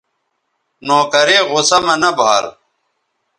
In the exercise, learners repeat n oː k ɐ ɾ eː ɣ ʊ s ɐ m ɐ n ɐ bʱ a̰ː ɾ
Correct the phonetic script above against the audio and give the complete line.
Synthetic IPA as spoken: n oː k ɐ ɾ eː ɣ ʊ s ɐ m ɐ n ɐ bʱ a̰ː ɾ